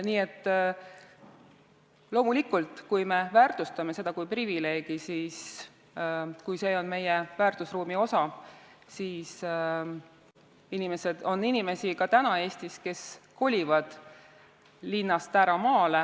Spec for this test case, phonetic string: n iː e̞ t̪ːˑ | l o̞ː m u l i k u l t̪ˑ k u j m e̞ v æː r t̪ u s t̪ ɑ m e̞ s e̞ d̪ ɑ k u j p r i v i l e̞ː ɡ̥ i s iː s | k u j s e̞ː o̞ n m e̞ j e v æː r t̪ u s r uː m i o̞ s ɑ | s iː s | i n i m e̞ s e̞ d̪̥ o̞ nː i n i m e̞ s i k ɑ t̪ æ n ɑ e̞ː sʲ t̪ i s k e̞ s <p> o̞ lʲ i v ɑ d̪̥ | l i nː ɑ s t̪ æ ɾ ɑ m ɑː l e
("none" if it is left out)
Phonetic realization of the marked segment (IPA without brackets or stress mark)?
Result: k